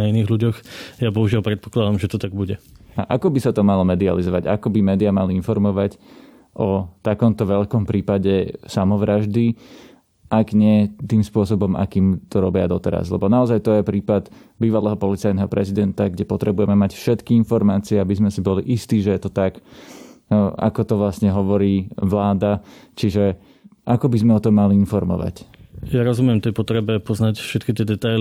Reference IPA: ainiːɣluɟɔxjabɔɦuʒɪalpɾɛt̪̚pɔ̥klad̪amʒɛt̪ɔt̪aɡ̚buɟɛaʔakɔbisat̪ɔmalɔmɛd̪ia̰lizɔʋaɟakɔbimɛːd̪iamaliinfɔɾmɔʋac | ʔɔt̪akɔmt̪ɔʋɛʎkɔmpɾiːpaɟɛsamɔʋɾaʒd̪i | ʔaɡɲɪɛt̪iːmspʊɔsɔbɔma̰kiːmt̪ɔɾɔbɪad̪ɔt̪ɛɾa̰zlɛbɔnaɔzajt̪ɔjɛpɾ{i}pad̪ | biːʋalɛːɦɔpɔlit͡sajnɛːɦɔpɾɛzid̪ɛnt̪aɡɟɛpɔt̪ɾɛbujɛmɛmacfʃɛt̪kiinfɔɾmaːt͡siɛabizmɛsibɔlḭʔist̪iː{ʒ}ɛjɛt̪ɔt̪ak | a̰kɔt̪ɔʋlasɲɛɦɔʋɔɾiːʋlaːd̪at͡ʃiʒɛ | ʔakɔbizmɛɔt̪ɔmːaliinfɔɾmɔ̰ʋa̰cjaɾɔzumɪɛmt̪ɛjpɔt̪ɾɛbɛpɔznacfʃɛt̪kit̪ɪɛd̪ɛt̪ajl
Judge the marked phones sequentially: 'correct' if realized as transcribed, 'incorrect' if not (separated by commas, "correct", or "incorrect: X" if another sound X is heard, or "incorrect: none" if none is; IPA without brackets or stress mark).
incorrect: iː, correct